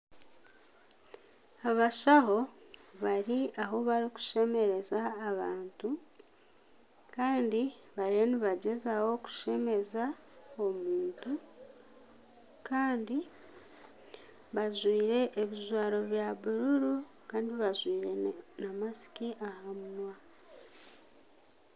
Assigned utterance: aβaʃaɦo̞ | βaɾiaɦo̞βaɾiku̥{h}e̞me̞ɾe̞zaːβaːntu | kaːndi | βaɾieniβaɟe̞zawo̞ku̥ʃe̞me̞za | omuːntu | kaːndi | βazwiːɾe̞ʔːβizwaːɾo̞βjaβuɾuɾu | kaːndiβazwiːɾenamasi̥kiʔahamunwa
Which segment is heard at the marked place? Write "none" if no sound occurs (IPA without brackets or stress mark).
ʃ